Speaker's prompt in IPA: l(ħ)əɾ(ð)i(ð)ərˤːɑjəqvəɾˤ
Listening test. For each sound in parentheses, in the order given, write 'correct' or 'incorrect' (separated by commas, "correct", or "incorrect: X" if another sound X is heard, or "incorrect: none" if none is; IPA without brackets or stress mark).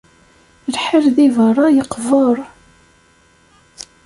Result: correct, correct, incorrect: v